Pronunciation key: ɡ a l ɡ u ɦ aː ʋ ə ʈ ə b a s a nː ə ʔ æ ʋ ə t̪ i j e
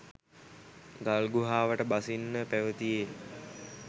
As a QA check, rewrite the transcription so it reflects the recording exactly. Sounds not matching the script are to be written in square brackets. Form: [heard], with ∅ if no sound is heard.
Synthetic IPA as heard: ɡ a l ɡ u ɦ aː ʋ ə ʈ ə b a s [i] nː ə [p] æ ʋ ə t̪ i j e